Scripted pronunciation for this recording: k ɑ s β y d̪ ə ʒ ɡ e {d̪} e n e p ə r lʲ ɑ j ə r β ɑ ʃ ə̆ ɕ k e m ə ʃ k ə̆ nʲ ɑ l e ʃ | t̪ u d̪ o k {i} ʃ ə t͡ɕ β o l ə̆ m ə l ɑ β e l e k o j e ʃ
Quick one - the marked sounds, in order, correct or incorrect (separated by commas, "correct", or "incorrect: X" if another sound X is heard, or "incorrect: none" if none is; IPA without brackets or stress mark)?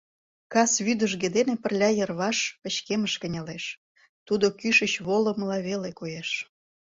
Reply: correct, incorrect: y